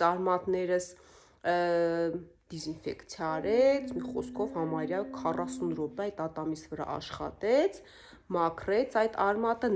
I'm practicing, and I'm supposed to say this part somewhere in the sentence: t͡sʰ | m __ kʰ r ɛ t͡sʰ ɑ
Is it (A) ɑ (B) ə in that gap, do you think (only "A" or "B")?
A